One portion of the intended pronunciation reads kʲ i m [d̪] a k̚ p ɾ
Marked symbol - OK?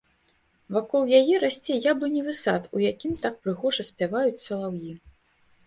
no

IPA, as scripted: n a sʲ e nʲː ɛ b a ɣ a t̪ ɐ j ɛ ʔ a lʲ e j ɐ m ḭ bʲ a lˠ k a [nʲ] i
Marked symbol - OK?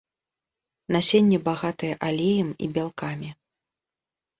no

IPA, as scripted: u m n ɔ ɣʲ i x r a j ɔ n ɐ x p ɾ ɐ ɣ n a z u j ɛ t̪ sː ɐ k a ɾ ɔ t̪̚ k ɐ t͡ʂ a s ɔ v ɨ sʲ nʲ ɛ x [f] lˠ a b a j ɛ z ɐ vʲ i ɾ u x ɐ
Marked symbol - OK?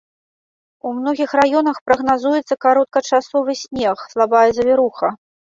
no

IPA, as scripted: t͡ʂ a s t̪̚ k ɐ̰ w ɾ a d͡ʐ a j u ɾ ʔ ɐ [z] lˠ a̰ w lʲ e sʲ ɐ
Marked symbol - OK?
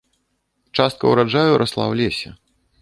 no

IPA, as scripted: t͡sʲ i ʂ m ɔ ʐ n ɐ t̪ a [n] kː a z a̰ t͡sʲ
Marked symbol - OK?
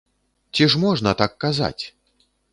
no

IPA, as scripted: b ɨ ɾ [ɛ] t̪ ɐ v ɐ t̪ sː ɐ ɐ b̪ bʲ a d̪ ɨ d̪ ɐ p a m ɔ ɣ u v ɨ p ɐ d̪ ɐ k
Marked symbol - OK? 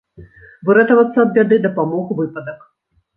yes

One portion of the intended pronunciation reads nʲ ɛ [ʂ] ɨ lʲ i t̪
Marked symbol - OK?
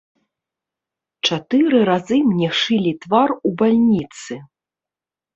yes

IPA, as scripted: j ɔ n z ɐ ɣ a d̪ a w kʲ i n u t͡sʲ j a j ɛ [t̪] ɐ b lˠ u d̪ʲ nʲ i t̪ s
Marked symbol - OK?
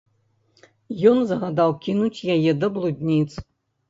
no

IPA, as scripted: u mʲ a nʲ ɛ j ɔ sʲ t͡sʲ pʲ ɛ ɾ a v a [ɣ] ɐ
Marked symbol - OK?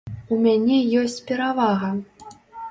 yes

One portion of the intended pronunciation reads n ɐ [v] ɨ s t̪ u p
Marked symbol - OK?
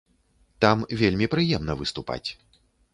yes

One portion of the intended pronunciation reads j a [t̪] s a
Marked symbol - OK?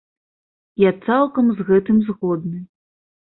yes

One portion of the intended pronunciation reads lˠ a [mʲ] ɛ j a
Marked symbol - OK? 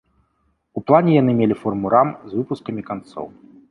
no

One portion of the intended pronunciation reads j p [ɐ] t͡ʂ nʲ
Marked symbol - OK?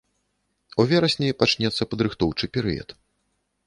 no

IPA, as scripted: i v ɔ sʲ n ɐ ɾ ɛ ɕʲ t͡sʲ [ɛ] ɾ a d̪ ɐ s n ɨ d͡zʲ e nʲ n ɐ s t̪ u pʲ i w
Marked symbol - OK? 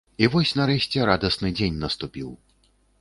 yes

